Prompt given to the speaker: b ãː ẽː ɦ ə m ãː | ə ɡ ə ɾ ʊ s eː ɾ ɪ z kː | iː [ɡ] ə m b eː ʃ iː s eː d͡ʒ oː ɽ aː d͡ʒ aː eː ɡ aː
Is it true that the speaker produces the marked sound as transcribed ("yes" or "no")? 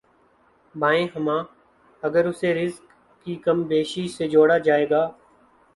no